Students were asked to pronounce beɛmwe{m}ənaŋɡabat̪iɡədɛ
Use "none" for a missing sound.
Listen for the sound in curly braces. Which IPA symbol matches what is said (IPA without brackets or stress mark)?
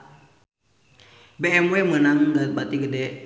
m